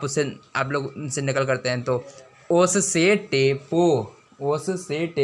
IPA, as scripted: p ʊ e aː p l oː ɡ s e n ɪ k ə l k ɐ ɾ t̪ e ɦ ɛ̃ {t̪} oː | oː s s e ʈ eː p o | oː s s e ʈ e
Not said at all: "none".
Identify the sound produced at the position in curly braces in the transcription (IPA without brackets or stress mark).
t̪